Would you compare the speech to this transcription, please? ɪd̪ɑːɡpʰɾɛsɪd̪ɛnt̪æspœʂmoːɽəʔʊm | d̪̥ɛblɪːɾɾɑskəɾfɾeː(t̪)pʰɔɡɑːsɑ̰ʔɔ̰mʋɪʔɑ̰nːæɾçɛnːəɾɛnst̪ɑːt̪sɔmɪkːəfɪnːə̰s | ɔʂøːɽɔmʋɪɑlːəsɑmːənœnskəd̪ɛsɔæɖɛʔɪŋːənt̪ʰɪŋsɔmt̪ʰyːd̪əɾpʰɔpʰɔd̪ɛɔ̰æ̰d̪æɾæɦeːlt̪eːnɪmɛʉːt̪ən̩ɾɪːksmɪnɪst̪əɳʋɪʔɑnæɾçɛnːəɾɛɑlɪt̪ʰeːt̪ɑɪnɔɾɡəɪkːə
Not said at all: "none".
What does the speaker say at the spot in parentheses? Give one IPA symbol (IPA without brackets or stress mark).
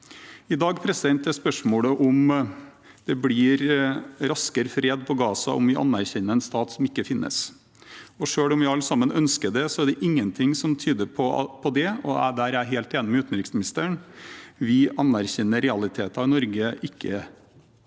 d̪